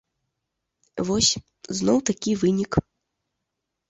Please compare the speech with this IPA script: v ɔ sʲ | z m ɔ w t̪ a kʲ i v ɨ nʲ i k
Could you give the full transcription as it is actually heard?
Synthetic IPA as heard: v ɔ sʲ | z n ɔ w t̪ a kʲ i v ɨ nʲ i k

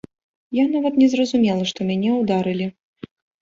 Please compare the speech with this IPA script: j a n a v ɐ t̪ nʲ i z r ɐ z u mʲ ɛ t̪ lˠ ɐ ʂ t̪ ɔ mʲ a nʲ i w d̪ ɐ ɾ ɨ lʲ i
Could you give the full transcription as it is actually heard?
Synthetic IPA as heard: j a n a v ɐ t̪ nʲ ɛ z r ɐ z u mʲ ɛ lˠ ɐ ʂ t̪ ɔ mʲ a nʲ ɛ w d̪ a ɾ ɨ lʲ i

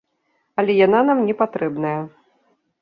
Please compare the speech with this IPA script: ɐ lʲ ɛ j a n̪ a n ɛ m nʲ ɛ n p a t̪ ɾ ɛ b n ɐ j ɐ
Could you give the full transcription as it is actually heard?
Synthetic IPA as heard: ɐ lʲ ɛ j a n̪ a n a m nʲ ɛ p a t̪ ɾ ɛ b n ɐ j ɐ

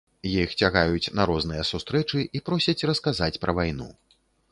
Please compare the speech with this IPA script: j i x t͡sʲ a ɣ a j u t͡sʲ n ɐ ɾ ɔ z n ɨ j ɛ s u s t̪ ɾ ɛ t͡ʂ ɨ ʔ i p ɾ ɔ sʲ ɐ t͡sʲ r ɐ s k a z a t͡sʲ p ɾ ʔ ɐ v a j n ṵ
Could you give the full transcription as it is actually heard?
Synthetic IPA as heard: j i x t͡sʲ a ɣ a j u t͡sʲ n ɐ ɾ ɔ z n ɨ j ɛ s u s t̪ ɾ ɛ t͡ʂ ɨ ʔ i p ɾ ɔ sʲ ɐ t͡sʲ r ɐ s k a z a t͡sʲ p ɾ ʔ ɐ v a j n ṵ

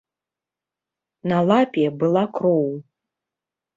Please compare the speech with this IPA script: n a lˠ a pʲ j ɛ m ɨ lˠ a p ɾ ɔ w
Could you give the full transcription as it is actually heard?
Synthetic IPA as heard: n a lˠ a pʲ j ɛ b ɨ lˠ a k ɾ ɔ w

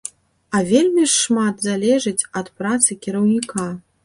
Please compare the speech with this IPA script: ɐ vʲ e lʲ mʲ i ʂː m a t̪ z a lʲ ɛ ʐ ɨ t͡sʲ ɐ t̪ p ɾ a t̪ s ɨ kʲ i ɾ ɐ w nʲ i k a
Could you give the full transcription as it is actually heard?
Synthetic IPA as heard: ɐ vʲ e lʲ mʲ i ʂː m a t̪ z a lʲ ɛ ʐ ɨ t͡sʲ ɐ t̪ p ɾ a t̪ s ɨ kʲ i ɾ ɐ w nʲ i k a

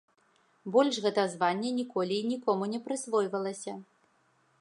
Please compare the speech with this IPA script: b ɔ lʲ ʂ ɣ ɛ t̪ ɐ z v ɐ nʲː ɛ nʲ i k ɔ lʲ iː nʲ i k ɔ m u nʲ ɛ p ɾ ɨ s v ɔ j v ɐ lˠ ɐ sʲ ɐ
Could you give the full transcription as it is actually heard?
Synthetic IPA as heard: b ɔ lʲ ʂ ɣ ɛ t̪ ɐ z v a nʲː ɛ nʲ i k ɔ lʲ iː nʲ i k ɔ m u nʲ ɛ p ɾ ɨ s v ɔ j v ɐ lˠ ɐ sʲ ɐ

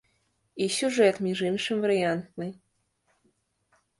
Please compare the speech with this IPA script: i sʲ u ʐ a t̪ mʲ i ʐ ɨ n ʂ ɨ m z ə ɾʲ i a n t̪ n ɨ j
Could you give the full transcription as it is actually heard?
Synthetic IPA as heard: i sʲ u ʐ ɛ t̪ mʲ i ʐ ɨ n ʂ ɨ m v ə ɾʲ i a n t̪ n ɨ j

